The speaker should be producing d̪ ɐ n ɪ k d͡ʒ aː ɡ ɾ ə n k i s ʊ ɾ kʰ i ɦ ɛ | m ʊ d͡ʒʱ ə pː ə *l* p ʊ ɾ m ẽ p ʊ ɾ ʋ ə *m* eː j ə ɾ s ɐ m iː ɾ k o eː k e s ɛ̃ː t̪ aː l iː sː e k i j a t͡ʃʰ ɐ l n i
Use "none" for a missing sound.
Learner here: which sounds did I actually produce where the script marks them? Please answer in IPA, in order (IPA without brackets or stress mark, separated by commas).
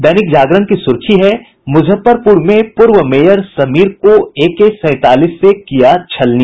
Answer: ɾ, m